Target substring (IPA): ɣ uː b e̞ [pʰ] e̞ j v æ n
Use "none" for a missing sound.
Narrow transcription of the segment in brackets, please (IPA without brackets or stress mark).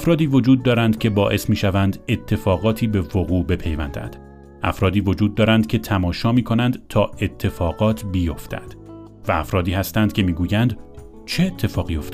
pʰ